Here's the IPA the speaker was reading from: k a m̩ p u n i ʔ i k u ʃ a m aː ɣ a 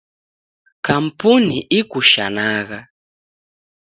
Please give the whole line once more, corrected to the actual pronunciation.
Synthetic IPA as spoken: k a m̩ p u n i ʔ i k u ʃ a n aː ɣ a